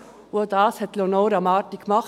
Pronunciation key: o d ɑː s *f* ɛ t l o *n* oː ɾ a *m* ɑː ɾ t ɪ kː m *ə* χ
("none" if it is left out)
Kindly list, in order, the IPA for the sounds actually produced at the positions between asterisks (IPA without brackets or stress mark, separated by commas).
h, n, m, ɑ